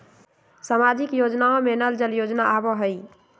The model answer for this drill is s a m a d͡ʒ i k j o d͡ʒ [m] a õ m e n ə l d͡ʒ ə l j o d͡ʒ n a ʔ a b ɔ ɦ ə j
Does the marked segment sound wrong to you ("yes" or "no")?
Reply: yes